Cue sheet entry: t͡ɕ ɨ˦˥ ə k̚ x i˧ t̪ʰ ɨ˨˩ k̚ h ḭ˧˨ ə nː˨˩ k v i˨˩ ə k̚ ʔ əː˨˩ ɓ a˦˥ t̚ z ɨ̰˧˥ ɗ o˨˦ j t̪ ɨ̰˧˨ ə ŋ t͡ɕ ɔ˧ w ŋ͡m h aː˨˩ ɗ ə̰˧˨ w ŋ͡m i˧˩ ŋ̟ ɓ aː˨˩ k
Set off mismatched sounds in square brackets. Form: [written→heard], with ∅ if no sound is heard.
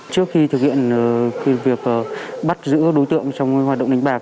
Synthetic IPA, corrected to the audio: t͡ɕ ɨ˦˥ ə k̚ x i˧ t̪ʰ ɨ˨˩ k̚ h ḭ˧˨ ə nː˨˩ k v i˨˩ ə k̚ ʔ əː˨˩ ɓ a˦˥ t̚ z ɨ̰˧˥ ɗ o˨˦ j t̪ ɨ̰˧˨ ə ŋ t͡ɕ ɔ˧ w ŋ͡m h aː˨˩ ɗ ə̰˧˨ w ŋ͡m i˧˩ ŋ̟ ɓ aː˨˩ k